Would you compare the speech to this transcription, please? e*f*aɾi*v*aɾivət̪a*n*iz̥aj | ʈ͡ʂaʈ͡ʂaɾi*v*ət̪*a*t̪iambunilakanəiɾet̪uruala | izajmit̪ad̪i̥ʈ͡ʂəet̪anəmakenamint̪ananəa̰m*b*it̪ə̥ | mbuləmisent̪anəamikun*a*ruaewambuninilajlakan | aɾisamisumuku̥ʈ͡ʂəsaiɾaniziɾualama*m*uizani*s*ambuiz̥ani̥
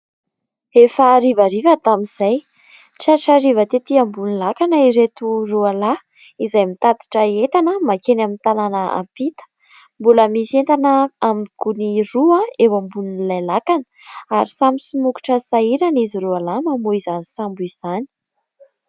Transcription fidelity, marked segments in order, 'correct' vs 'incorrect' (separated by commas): correct, correct, incorrect, correct, incorrect, incorrect, incorrect, correct, correct